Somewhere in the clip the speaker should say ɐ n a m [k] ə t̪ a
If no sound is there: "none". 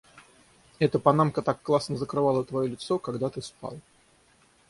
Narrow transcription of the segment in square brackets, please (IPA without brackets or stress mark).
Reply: k